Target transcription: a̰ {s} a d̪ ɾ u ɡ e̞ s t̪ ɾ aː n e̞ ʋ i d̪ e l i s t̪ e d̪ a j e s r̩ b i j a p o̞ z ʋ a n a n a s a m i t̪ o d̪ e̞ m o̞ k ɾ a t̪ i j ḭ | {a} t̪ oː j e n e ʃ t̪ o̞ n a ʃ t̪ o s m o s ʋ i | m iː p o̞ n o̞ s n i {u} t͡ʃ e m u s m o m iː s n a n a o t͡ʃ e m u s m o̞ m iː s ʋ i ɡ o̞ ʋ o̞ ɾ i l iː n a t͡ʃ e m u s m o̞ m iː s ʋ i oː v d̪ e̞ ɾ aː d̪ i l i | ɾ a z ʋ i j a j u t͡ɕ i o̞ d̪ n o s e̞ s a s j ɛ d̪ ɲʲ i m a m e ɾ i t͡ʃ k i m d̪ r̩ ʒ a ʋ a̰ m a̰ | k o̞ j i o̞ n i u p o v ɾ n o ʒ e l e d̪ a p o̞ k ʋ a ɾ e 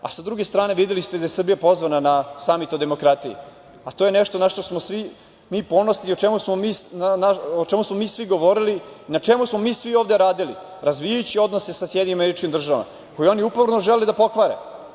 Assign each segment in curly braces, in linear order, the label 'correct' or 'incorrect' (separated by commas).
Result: correct, correct, incorrect